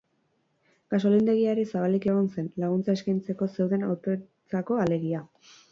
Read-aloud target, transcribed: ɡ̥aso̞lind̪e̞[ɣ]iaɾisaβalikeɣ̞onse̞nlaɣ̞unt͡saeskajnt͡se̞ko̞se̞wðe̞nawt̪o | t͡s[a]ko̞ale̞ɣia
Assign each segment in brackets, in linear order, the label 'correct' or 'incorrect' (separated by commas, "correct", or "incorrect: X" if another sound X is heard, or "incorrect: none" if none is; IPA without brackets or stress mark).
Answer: correct, correct